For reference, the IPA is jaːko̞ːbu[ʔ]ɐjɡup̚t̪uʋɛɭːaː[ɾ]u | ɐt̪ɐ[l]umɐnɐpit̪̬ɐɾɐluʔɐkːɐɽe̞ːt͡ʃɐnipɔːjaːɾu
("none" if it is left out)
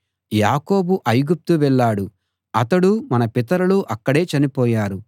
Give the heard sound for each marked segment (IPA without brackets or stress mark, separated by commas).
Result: ʔ, ɽ, ɽ